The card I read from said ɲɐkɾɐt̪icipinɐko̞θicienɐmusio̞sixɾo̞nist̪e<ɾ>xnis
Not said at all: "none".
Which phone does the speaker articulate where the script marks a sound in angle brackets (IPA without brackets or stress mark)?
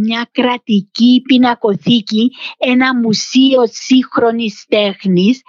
none